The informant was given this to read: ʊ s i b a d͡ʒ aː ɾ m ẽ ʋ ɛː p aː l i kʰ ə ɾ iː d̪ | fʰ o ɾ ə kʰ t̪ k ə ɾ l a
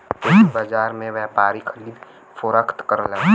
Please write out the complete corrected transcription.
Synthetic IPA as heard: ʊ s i b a d͡ʒ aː ɾ m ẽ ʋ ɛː p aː ɾ i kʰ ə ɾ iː d̪ | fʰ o ɾ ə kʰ t̪ k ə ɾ l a

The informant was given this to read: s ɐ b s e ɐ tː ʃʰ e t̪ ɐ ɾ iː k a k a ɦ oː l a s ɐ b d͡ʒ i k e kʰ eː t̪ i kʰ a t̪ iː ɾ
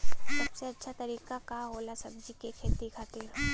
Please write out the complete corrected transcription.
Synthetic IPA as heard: s ɐ b s e ɐ tː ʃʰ a t̪ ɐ ɾ iː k a k a ɦ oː l a s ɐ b d͡ʒ i k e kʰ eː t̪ i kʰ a t̪ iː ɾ

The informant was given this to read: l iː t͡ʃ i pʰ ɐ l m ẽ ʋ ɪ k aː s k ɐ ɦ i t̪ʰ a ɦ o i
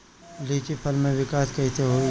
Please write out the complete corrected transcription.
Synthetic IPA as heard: l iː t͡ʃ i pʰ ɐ l m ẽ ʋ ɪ k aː s k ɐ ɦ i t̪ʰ e ɦ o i

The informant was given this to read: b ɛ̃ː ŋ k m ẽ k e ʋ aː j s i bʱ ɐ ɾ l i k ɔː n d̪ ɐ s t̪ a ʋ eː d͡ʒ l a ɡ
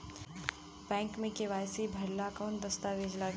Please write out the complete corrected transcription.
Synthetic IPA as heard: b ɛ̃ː ŋ k m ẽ k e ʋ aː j s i bʱ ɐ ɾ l a k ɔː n d̪ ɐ s t̪ a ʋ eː d͡ʒ l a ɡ

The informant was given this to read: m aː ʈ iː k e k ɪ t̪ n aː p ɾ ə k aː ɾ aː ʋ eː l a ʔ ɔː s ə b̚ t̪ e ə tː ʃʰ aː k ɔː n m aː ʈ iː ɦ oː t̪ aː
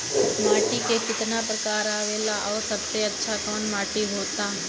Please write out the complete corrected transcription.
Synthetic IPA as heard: m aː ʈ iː k e k ɪ t̪ n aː p ɾ ə k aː ɾ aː ʋ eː l a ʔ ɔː s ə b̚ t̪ e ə tː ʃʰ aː k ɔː n m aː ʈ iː ɦ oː t̪ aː

